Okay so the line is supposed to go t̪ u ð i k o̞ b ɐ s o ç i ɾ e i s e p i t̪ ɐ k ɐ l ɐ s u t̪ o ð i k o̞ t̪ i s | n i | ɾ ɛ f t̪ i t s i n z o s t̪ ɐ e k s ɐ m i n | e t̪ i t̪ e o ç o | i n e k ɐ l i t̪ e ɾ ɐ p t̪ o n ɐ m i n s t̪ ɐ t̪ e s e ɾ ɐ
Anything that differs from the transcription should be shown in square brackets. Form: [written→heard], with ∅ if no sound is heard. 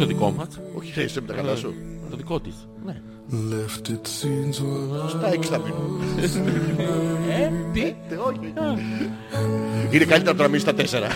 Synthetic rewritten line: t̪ [u→o] ð i k o̞ [b→m] ɐ s o ç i ɾ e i s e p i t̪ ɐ k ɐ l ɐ s u t̪ o ð i k o̞ t̪ i s | n [i→e] | [ɾ→l] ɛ f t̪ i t s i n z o s t̪ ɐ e k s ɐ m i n | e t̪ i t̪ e o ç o | i n e k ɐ l i t̪ e ɾ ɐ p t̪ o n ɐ m i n s t̪ ɐ t̪ e s e ɾ ɐ